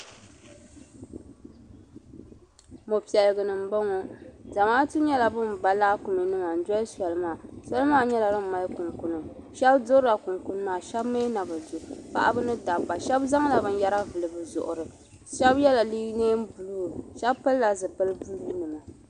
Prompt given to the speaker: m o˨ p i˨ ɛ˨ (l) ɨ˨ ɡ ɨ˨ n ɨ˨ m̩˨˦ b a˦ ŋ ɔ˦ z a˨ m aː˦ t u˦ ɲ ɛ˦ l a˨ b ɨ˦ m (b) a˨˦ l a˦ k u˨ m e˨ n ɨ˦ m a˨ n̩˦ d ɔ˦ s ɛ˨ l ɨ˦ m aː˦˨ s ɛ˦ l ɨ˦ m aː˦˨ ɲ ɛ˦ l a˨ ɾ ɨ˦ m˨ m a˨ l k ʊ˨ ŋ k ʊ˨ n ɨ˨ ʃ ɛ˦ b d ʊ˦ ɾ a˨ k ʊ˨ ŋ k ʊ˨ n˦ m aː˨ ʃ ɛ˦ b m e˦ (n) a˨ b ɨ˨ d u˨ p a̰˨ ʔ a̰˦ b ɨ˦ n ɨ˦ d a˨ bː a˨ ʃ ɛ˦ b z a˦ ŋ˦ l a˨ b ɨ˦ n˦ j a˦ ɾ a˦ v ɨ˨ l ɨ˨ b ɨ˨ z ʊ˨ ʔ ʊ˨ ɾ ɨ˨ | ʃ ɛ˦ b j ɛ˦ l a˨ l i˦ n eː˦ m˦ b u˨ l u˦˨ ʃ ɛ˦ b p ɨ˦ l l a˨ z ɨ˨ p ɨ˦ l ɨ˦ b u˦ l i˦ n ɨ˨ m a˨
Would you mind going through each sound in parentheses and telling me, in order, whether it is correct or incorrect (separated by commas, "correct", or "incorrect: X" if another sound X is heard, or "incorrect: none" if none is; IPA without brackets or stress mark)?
correct, correct, correct